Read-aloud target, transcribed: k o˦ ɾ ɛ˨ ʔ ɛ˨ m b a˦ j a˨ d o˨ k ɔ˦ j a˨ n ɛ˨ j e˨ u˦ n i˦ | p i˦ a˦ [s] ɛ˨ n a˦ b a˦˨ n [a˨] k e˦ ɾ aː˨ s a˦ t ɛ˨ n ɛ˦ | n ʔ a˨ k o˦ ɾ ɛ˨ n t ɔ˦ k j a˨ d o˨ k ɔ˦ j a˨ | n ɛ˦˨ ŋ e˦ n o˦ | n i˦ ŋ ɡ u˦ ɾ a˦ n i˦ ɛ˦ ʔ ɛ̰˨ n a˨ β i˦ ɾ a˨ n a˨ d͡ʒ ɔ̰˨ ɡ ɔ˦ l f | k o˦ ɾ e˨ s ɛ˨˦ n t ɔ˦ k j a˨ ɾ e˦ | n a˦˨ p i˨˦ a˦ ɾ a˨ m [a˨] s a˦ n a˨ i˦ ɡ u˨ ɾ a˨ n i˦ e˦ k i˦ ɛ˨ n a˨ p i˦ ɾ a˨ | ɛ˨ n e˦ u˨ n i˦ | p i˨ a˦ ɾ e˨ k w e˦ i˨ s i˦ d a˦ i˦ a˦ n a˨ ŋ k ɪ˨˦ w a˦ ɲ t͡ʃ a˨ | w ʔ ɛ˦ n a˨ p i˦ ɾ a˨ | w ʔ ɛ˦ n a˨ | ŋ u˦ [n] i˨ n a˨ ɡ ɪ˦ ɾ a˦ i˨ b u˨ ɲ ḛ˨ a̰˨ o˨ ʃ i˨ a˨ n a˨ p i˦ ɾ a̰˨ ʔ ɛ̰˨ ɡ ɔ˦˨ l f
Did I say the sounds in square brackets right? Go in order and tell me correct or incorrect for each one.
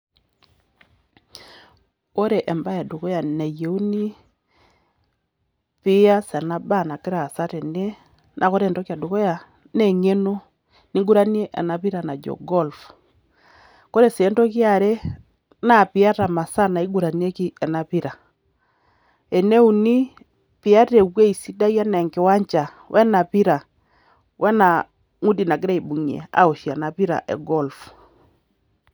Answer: correct, correct, correct, incorrect: d

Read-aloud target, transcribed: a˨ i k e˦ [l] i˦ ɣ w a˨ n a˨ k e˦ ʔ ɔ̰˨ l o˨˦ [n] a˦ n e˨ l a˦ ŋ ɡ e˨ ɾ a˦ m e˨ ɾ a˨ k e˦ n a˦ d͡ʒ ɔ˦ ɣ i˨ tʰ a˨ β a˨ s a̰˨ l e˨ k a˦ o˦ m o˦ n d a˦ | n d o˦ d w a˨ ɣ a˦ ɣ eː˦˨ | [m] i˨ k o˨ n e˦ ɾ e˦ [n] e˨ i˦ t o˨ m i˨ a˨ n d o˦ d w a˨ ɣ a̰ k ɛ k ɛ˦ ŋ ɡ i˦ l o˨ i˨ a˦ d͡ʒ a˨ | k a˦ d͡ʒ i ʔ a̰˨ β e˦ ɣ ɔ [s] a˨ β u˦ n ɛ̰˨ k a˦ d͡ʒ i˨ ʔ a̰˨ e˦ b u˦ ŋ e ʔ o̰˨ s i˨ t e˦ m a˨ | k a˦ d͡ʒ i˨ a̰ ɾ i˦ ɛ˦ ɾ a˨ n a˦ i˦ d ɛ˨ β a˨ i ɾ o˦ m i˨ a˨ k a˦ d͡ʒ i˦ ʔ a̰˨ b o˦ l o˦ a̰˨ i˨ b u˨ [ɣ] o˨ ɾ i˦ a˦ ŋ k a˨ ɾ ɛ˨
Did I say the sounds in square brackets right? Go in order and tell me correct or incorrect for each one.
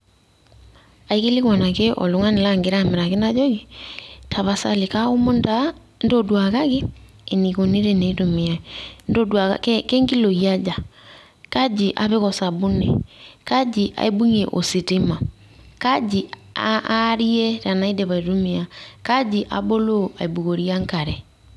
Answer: correct, incorrect: ŋ, incorrect: n, correct, correct, correct

